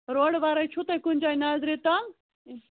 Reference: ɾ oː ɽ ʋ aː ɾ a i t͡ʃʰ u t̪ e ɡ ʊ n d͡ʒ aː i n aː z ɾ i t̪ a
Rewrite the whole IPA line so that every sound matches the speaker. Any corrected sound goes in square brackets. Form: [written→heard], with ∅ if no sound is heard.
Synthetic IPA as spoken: ɾ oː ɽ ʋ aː ɾ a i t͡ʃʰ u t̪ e [ɡ→k] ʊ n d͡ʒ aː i n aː z ɾ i t̪ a

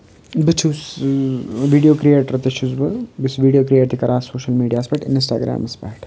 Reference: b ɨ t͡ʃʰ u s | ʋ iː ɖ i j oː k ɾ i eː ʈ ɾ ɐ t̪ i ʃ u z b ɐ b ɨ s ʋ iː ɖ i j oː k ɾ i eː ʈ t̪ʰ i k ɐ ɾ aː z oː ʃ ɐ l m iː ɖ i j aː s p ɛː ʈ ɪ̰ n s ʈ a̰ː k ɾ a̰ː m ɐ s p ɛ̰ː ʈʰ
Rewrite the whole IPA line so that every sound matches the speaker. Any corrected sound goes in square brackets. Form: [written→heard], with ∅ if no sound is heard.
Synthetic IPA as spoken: b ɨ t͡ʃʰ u s | ʋ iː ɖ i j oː k ɾ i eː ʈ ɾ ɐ t̪ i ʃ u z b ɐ b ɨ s ʋ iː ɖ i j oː k ɾ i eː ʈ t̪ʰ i k ɐ ɾ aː [z→s] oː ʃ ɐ l m iː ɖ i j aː s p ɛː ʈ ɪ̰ n s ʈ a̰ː [k→ɡ] ɾ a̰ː m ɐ s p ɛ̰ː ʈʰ

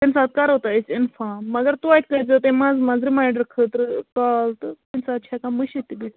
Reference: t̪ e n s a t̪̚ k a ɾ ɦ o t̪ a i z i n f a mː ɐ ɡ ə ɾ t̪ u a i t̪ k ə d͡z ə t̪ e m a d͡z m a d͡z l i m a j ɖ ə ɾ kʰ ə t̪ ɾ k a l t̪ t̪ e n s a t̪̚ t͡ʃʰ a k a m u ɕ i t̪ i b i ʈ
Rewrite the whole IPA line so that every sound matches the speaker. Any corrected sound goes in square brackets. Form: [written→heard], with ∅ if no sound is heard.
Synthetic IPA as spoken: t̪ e n s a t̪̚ k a ɾ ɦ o t̪ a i [z→s] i n f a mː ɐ ɡ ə ɾ t̪ u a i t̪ k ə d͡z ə t̪ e m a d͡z m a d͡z [l→ɾ] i m a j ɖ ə ɾ kʰ ə t̪ ɾ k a l t̪ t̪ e n s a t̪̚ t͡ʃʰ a k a m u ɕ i t̪ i b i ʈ

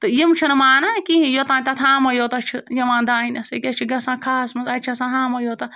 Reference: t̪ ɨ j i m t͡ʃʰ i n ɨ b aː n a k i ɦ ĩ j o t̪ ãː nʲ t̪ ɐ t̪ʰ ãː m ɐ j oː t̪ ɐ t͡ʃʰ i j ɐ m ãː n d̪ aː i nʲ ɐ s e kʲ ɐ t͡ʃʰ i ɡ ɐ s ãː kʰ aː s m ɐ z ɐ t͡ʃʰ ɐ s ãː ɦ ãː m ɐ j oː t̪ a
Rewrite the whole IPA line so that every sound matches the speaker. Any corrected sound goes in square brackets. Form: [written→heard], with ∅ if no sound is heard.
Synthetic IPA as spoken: t̪ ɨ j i m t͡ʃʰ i n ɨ [b→m] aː n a k i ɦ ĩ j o t̪ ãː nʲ t̪ ɐ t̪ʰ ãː m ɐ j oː t̪ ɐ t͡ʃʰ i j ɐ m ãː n d̪ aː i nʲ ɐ s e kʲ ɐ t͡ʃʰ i ɡ ɐ s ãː kʰ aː s m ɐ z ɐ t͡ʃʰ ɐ s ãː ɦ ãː m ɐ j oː t̪ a

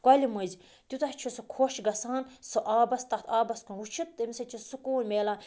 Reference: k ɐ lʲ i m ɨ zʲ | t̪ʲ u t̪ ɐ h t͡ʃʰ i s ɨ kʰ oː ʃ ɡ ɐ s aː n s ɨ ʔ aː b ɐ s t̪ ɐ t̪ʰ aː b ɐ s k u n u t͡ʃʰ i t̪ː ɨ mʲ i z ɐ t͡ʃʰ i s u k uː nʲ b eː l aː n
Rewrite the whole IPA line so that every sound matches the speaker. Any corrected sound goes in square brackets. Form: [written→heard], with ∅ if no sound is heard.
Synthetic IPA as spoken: k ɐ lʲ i m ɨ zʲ | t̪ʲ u t̪ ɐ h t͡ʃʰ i s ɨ kʰ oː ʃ ɡ ɐ s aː n s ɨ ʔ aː b ɐ s t̪ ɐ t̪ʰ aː b ɐ s k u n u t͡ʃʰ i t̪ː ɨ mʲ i [z→s] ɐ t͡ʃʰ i s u k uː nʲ [b→m] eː l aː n

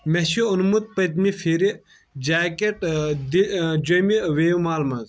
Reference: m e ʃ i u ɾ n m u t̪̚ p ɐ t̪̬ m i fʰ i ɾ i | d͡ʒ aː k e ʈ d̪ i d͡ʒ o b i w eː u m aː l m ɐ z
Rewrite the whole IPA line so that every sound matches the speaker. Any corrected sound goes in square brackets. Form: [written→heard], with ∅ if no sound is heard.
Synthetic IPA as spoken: m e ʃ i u [ɾ→∅] n m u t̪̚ p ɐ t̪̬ m i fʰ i ɾ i | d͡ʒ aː k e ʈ d̪ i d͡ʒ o [b→m] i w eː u m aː l m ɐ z

